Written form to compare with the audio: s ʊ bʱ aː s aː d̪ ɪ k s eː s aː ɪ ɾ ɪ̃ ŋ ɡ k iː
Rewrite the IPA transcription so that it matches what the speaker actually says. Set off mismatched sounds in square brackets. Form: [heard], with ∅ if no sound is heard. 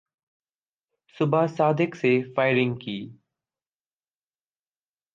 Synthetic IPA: s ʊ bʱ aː s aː d̪ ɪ k s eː [f] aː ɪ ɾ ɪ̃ ŋ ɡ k iː